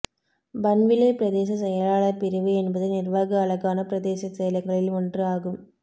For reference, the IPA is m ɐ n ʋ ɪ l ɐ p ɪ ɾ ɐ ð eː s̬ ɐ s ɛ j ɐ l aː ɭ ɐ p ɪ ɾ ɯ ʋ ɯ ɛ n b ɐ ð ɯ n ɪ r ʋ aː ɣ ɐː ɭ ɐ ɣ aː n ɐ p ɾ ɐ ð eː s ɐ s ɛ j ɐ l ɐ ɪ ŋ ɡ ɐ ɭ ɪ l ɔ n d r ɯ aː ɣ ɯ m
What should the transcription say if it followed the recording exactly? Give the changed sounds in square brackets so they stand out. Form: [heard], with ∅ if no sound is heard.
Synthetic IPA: [b] ɐ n ʋ ɪ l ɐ p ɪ ɾ ɐ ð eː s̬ ɐ s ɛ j ɐ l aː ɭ ɐ p ɪ ɾ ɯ ʋ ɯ ɛ n b ɐ ð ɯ n ɪ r ʋ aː ɣ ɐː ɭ ɐ ɣ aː n ɐ p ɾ ɐ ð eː s ɐ s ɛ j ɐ l ɐ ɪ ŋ ɡ ɐ ɭ ɪ l ɔ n d r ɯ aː ɣ ɯ m